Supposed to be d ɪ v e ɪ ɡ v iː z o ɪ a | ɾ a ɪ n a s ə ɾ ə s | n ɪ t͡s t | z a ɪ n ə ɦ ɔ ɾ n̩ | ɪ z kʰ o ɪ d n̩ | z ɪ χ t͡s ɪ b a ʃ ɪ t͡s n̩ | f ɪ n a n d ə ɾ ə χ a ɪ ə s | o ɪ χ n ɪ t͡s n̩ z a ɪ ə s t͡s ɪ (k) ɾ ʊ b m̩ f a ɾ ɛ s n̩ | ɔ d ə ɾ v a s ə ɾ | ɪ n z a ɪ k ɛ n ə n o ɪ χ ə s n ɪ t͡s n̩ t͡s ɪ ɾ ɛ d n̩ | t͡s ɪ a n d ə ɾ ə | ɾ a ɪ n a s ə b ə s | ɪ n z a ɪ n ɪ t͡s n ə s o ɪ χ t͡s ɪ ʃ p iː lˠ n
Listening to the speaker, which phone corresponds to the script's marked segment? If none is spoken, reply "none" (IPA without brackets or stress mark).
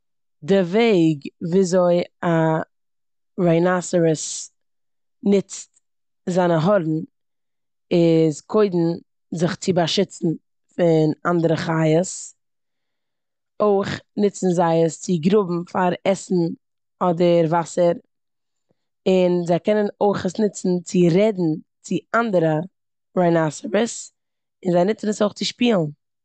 ɡ